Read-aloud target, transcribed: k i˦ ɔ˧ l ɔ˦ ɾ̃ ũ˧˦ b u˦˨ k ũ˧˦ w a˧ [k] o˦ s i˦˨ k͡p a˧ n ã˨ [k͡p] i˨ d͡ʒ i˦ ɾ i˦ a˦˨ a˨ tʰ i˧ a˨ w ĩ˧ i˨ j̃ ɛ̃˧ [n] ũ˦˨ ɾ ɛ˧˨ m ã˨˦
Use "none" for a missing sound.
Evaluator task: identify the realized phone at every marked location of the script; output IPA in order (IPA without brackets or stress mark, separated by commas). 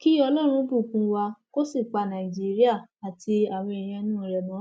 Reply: k, none, n